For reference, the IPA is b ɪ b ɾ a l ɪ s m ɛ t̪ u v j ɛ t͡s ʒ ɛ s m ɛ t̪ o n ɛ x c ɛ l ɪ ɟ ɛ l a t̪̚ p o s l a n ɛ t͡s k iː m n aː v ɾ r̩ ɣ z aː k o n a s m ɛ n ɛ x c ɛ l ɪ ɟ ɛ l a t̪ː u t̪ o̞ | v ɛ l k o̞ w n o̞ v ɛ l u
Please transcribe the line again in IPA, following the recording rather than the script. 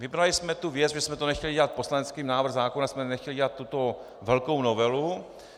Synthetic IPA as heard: v ɪ b ɾ a l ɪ s m ɛ t̪ u v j ɛ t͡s ʒ ɛ s m ɛ t̪ o n ɛ x c ɛ l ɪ ɟ ɛ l a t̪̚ p o s l a n ɛ t͡s k iː m n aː v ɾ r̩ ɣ z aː k o n a s m ɛ n ɛ x c ɛ l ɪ ɟ ɛ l a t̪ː u t̪ o̞ | v ɛ l k o̞ w n o̞ v ɛ l u